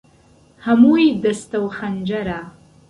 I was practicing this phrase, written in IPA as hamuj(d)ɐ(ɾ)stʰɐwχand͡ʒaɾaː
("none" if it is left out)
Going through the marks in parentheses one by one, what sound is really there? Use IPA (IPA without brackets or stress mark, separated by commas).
d, none